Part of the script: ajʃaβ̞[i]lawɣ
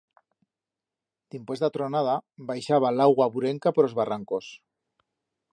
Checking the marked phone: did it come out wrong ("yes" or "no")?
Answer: yes